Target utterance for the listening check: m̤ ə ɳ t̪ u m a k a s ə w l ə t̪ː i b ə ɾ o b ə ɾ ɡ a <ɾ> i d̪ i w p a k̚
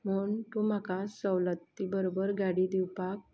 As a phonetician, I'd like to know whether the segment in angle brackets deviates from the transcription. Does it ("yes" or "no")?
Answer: yes